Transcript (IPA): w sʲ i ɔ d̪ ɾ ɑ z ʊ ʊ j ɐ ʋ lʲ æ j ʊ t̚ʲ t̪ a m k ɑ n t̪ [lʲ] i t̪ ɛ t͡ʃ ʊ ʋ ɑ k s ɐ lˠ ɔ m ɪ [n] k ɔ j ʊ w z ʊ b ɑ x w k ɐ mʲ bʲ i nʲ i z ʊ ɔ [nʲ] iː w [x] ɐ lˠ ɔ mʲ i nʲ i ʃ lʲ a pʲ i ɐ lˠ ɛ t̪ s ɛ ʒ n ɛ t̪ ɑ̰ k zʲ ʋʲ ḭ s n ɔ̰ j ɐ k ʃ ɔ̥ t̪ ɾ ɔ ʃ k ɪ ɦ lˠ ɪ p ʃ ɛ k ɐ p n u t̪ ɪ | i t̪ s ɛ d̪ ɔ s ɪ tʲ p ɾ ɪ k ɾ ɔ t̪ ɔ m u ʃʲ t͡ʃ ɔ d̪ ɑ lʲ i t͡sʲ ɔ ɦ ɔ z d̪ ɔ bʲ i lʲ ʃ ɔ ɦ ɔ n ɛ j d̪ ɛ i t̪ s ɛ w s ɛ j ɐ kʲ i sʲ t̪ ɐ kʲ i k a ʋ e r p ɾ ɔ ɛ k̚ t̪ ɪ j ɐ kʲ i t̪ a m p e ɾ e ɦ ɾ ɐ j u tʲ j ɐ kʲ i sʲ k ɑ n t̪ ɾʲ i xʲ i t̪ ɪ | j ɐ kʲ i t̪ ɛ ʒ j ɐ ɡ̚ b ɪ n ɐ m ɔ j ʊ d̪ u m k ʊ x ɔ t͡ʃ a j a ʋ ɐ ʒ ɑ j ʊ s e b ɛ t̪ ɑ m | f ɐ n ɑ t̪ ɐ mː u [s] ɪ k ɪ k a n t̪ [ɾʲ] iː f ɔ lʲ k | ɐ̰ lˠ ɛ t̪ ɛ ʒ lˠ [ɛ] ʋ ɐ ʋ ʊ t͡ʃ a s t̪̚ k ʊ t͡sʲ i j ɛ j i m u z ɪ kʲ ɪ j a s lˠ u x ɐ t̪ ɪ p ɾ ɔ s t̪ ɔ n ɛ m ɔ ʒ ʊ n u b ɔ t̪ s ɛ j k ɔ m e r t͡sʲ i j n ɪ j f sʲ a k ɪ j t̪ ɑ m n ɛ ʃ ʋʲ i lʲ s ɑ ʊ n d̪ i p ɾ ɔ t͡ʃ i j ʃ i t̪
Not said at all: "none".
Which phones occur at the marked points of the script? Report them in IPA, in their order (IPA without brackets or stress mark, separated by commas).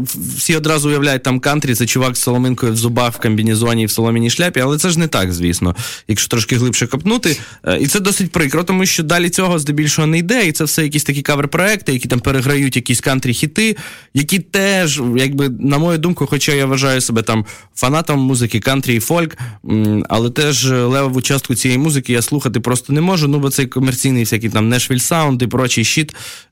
ɾʲ, n, nʲ, s, z, ɾʲ, ɛ